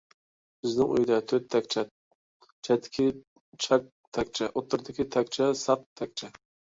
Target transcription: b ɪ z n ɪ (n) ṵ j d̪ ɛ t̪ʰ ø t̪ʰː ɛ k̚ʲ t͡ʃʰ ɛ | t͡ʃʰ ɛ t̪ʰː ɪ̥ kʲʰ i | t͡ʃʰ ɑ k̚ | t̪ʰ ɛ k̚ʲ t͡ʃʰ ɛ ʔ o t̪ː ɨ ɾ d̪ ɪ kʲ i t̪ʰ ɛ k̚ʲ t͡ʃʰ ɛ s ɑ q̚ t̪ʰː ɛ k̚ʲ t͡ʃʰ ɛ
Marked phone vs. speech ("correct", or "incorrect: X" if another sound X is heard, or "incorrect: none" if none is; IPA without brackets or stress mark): incorrect: ŋ